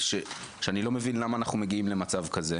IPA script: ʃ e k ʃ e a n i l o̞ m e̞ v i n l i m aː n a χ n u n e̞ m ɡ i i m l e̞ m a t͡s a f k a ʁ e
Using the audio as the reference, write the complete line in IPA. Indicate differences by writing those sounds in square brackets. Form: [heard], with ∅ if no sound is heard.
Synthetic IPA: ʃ e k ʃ e a n i l o̞ m e̞ v i n l [a] m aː n a χ n u [m] e̞ [∅] ɡ i i m l e̞ m a t͡s a [v] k a [z] e